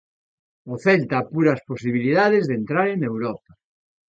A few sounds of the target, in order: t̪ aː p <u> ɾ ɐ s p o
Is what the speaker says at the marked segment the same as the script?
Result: yes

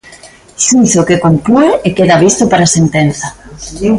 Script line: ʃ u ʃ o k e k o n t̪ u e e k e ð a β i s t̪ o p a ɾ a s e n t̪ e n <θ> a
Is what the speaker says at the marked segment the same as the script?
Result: yes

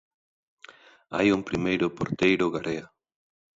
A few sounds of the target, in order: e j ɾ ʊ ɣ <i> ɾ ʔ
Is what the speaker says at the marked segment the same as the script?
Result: no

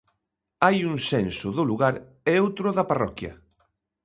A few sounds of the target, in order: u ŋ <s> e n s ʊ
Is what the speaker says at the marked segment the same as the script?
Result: yes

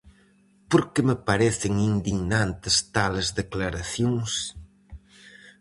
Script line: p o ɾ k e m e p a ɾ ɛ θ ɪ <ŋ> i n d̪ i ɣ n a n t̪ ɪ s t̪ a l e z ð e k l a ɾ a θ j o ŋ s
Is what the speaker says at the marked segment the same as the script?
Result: yes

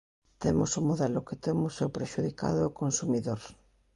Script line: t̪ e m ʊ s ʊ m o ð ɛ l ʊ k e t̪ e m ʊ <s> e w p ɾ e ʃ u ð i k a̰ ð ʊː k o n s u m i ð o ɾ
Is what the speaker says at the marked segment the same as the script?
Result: yes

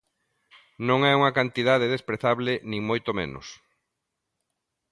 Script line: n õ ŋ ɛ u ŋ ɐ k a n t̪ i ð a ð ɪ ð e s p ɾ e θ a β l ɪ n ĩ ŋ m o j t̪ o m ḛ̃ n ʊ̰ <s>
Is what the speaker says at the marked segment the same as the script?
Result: yes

